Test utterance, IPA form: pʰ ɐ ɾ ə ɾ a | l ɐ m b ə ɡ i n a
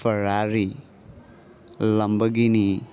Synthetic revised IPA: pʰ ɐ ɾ a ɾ i | l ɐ m b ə ɡ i n i